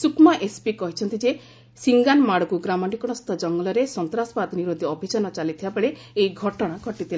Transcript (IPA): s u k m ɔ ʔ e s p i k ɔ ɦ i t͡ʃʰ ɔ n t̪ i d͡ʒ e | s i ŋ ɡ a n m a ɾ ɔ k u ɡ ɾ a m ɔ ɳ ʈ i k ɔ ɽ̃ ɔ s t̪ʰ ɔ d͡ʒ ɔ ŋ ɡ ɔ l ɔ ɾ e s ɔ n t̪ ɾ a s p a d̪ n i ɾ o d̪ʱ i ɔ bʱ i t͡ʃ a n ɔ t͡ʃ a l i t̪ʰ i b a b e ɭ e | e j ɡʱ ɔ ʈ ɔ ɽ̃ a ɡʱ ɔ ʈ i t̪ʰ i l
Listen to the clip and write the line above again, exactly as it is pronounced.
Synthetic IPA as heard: s u k m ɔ ʔ e s p i k ɔ ɦ i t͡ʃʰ ɔ n t̪ i d͡ʒ e | s i ŋ ɡ a n m a ɽ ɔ k u ɡ ɾ a m ɔ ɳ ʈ i k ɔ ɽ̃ ɔ s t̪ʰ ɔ d͡ʒ ɔ ŋ ɡ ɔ l ɔ ɾ e s ɔ n t̪ ɾ a s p a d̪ n i ɾ o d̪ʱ i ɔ bʱ i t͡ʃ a n ɔ t͡ʃ a l i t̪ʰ i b a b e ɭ e | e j ɡʱ ɔ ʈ ɔ ɽ̃ a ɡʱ ɔ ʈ i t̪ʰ i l